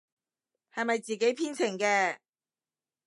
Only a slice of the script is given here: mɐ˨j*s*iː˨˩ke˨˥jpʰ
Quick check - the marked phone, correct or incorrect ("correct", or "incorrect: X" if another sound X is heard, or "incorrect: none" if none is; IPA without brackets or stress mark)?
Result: incorrect: t͡s